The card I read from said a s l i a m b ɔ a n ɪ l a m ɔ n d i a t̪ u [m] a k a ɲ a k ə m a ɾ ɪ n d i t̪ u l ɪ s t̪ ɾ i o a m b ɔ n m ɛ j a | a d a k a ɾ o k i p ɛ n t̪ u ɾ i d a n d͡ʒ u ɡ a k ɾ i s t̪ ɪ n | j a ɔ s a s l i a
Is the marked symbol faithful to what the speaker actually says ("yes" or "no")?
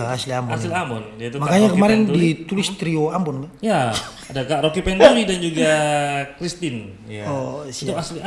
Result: yes